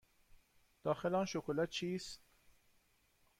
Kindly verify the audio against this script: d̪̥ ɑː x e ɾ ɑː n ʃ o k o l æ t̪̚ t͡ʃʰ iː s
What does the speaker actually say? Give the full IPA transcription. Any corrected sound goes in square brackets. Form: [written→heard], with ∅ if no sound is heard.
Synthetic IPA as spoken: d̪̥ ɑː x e [ɾ→l] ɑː n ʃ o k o l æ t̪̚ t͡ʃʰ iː s

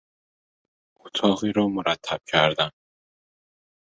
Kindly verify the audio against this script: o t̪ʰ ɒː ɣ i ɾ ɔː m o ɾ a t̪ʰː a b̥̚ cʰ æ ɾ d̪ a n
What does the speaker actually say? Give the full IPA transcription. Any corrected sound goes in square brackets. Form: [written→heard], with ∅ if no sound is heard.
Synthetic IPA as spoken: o t̪ʰ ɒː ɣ i ɾ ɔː m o ɾ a t̪ʰː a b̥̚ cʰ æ ɾ d̪ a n

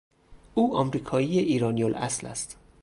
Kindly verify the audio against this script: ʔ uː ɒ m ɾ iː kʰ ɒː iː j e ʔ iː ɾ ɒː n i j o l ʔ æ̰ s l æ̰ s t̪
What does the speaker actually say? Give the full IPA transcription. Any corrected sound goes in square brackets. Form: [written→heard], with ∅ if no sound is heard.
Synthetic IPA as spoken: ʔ uː ɒ m ɾ iː kʰ ɒː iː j e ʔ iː ɾ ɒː n i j o l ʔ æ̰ s l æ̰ s t̪

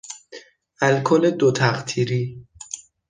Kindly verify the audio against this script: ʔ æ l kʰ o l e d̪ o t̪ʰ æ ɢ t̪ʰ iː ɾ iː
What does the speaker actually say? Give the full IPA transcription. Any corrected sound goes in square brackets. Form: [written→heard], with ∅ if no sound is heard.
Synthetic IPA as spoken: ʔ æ l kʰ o l e d̪ o t̪ʰ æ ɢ t̪ʰ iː ɾ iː

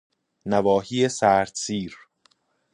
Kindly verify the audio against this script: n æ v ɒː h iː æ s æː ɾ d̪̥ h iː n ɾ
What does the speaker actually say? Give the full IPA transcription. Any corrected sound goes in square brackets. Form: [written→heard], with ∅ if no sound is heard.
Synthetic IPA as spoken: n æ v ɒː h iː [æ→e] s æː ɾ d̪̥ [h→s] iː [n→∅] ɾ

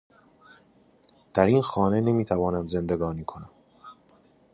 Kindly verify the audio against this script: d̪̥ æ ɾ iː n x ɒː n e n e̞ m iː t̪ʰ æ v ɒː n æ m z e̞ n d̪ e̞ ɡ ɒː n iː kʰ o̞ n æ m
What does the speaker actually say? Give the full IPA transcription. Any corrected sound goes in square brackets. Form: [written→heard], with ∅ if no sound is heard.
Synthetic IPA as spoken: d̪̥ æ ɾ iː n x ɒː n e n e̞ m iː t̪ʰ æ v ɒː n æ m z e̞ n d̪ e̞ ɡ ɒː n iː kʰ o̞ n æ m

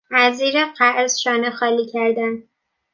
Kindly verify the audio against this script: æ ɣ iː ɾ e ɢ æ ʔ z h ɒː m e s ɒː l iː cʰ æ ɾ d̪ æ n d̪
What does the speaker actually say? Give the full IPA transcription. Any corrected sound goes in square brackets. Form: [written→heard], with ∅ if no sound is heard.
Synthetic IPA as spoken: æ [ɣ→z] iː ɾ e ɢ æ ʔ z [h→ʃ] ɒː [m→n] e [s→x] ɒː l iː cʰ æ ɾ d̪ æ n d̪

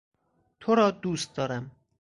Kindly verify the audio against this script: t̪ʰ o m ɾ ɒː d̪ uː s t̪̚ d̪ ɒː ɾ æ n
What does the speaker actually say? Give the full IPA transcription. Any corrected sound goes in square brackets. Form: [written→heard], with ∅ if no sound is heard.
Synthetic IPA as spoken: t̪ʰ o [m→∅] ɾ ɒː d̪ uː s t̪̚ d̪ ɒː ɾ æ [n→m]

